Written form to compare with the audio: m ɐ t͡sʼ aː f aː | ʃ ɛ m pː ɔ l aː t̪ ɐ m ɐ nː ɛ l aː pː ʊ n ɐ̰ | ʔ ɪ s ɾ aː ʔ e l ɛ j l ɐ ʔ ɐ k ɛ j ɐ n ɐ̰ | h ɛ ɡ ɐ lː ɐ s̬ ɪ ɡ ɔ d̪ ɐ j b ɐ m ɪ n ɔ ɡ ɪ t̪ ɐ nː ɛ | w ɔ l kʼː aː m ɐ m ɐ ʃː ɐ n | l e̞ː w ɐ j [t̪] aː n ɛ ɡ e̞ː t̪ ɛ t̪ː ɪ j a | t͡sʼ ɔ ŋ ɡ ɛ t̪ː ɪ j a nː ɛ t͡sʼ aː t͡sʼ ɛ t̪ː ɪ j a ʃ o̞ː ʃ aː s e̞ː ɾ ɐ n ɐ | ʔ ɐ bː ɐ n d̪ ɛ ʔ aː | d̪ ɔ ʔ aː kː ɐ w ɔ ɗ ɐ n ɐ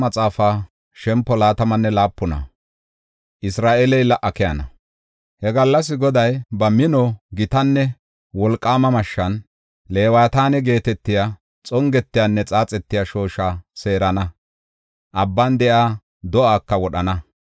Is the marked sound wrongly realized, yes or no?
no